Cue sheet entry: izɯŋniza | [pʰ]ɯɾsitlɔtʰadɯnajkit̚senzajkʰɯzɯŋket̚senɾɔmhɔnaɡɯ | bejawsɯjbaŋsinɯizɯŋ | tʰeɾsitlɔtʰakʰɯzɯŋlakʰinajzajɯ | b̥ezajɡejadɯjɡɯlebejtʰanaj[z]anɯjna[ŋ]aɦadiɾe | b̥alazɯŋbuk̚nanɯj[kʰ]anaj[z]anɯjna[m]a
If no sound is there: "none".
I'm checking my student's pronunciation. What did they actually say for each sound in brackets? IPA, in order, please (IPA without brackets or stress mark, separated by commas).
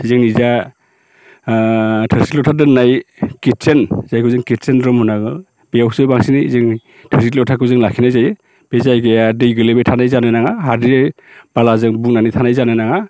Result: tʰ, z, ŋ, tʰ, z, ŋ